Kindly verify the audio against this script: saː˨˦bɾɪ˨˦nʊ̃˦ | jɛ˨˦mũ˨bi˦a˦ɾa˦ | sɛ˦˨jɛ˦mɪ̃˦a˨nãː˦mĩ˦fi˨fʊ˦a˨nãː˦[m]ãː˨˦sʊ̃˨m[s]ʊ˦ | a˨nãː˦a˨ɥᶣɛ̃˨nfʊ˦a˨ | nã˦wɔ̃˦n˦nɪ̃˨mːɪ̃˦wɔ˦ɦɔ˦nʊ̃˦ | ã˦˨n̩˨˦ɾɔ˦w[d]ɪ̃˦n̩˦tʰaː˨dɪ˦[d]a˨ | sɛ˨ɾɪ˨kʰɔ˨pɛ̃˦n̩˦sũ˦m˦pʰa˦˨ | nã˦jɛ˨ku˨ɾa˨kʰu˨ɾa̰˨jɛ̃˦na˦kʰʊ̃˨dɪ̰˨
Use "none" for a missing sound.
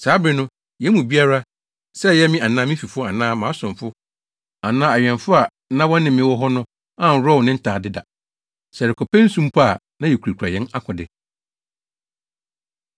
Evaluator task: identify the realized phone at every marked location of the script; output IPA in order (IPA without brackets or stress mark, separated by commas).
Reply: m, f, n, d